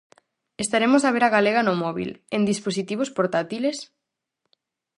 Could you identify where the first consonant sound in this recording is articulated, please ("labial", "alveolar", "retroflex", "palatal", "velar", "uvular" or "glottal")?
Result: alveolar